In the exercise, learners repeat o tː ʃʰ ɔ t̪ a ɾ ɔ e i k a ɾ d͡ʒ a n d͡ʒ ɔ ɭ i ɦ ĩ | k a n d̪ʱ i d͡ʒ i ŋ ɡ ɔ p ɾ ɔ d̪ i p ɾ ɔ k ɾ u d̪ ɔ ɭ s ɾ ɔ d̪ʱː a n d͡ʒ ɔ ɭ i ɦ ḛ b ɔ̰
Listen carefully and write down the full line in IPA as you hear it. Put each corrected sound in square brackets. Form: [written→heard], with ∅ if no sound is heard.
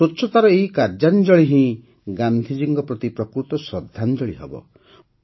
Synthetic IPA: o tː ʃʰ ɔ t̪ a ɾ ɔ e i k a ɾ d͡ʒ a n d͡ʒ ɔ ɭ i ɦ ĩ | [k→ɡ] a n d̪ʱ i d͡ʒ i ŋ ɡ ɔ p ɾ ɔ [d̪→t̪] i p ɾ ɔ k ɾ u [d̪→t̪] ɔ [ɭ→∅] s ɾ ɔ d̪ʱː a n d͡ʒ ɔ ɭ i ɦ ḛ b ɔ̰